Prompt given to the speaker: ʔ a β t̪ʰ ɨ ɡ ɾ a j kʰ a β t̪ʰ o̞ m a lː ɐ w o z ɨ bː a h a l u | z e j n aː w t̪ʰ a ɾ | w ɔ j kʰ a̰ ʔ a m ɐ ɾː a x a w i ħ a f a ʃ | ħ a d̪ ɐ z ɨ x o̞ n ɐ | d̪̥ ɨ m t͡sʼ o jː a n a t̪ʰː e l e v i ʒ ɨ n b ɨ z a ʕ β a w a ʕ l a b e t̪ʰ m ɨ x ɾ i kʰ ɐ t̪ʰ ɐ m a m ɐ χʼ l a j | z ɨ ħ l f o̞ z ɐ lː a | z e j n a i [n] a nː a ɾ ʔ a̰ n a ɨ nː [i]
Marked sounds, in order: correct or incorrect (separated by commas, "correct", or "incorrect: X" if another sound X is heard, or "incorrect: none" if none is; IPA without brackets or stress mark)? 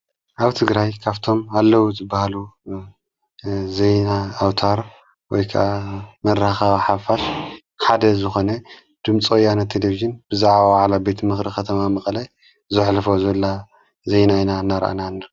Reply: correct, incorrect: a